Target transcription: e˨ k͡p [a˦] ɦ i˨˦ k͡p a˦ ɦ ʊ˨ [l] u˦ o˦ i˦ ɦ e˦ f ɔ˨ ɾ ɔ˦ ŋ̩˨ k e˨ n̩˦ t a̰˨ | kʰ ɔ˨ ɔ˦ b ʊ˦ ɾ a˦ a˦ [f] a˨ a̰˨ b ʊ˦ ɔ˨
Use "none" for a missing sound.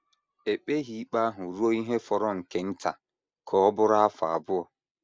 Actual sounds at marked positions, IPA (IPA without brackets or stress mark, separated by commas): e˦, ɾ, f